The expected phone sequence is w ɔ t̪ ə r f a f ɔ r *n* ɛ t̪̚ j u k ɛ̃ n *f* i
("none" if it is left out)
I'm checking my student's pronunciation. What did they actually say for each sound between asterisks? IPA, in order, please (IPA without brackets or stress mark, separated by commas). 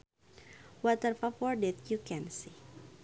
d, s